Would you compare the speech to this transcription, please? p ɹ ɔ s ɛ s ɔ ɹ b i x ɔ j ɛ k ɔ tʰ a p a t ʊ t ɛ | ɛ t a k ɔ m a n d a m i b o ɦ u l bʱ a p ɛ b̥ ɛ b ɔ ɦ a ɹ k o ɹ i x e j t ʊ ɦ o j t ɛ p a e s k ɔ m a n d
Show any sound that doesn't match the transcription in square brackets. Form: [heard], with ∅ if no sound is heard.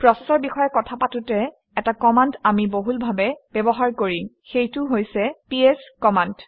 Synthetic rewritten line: p ɹ ɔ s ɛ s ɔ ɹ b i x ɔ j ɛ k ɔ tʰ a p a t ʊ t ɛ | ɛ t a k ɔ m a n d a m i b o ɦ u l bʱ a [b] ɛ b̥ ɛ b ɔ ɦ a ɹ k o ɹ i x e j t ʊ ɦ o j [s] ɛ p [i] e s k ɔ m a n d